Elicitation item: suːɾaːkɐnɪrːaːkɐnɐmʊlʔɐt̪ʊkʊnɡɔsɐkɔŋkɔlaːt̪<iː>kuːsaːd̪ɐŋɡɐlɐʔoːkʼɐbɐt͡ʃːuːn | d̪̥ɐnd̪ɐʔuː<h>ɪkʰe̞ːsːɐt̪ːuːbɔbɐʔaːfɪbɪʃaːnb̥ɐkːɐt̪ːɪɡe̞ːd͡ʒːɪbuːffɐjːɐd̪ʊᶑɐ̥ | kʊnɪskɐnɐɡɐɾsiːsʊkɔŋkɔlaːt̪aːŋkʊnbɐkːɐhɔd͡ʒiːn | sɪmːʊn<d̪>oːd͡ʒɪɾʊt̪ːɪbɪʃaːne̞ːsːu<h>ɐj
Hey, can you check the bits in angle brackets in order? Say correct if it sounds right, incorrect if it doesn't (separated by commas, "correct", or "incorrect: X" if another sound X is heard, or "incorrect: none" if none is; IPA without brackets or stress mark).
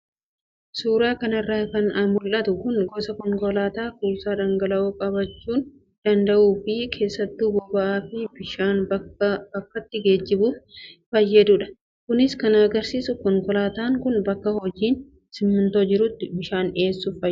incorrect: aː, incorrect: f, incorrect: t̪, incorrect: f